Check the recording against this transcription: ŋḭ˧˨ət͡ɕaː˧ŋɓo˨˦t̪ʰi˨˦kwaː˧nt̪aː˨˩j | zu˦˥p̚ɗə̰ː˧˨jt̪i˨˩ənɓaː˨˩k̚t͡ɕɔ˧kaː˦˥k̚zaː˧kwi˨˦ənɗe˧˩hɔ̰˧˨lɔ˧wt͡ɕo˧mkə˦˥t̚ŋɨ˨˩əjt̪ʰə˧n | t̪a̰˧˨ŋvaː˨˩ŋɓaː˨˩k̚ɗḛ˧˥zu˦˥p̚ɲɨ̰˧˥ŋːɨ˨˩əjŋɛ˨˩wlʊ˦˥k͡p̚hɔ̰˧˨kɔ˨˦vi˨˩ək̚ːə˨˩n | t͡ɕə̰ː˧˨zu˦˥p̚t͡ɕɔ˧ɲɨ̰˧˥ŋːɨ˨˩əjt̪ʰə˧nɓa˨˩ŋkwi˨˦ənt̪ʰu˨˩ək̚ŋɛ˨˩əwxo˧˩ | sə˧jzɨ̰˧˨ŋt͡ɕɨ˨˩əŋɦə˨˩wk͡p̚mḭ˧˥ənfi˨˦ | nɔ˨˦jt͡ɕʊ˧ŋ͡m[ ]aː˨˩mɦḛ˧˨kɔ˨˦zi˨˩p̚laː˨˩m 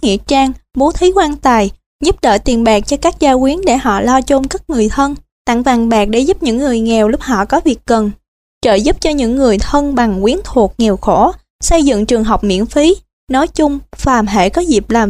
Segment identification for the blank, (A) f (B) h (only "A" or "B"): A